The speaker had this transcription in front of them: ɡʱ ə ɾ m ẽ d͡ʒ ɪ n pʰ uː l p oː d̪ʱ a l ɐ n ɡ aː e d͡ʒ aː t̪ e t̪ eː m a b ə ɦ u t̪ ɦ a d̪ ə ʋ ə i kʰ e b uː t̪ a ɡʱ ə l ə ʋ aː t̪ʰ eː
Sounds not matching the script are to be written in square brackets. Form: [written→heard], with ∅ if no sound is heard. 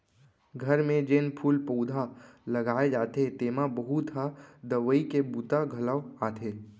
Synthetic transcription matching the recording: ɡʱ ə ɾ m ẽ d͡ʒ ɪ n pʰ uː l p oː d̪ʱ a l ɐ [n→∅] ɡ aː e d͡ʒ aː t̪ e t̪ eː m a b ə ɦ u t̪ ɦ a d̪ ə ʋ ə i [kʰ→k] e b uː t̪ a ɡʱ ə l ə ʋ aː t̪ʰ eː